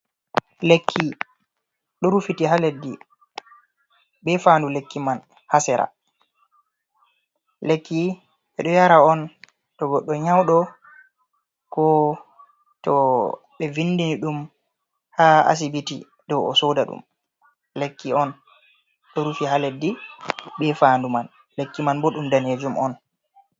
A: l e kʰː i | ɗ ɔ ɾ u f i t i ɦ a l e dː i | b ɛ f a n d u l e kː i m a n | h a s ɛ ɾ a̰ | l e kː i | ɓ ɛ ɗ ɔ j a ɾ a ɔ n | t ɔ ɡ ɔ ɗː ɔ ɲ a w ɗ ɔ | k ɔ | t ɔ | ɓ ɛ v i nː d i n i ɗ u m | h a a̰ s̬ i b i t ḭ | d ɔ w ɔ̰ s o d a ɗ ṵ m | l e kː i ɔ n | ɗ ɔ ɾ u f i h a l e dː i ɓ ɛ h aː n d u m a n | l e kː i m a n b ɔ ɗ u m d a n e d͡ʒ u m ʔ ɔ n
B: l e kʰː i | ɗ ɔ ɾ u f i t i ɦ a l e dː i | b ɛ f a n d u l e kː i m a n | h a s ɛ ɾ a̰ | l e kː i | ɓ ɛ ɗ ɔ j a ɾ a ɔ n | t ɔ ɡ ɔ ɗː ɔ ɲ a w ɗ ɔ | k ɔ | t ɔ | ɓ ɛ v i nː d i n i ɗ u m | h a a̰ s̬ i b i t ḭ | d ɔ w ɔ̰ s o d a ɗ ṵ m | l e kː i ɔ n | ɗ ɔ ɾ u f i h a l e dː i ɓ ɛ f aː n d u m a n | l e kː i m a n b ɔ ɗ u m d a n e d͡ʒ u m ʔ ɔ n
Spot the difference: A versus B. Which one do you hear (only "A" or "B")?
B